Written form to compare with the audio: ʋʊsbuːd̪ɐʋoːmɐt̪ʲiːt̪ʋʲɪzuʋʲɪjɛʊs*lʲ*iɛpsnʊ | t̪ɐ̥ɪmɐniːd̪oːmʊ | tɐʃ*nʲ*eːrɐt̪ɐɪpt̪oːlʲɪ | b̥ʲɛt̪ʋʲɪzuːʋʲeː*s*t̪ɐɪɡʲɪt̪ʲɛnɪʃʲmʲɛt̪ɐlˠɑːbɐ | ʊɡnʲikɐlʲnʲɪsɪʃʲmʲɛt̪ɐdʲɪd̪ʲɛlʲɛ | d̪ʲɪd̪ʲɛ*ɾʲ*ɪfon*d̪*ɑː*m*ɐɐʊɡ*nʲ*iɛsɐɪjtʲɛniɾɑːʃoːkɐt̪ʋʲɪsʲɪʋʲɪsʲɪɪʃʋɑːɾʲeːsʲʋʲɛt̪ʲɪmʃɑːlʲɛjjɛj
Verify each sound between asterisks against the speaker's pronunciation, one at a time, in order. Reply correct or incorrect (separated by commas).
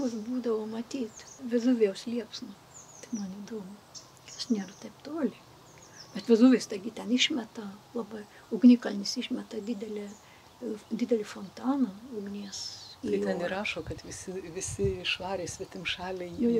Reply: correct, correct, correct, incorrect, incorrect, incorrect, correct